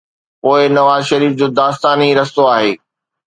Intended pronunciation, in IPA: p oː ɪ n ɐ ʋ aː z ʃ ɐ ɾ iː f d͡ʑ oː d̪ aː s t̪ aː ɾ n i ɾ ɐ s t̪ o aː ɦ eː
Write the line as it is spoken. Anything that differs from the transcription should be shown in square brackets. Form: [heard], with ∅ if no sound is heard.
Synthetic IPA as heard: p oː ɪ n ɐ ʋ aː z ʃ ɐ ɾ iː f d͡ʑ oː d̪ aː s t̪ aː [∅] n i ɾ ɐ s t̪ o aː ɦ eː